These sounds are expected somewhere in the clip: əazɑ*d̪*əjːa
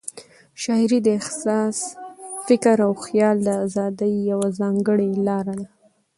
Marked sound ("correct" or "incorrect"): correct